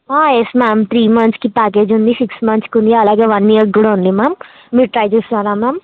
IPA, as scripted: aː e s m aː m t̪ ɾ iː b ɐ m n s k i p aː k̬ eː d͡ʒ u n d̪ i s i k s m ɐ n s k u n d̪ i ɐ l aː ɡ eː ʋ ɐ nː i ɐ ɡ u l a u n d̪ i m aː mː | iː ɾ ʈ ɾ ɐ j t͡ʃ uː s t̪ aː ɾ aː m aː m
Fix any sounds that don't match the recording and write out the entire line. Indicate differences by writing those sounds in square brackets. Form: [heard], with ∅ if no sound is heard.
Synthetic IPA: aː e s m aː m t̪ ɾ iː [m] ɐ [∅] n s k i p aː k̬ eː d͡ʒ u n d̪ i s i k s m ɐ n s k u n d̪ i ɐ l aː ɡ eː ʋ ɐ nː i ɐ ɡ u [ɽ] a u n d̪ i m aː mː | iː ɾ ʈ ɾ ɐ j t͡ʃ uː s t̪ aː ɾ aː m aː m